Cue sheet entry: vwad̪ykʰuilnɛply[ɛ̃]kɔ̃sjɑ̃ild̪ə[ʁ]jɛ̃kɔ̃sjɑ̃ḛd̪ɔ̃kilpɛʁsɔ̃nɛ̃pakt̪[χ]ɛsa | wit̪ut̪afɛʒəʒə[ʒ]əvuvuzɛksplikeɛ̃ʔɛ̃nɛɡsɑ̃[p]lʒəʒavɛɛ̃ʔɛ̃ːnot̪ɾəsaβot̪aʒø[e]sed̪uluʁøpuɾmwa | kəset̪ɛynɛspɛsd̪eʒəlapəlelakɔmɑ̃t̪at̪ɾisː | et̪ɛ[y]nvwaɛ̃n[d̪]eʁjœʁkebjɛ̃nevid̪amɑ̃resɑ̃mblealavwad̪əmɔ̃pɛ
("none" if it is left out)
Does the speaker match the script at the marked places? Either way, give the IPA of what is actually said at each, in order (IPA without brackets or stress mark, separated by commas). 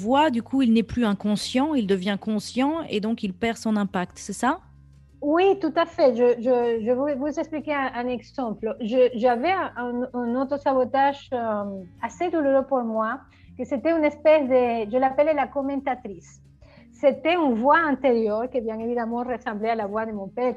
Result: ɛ̃, v, s, ʒ, p, a, y, t̪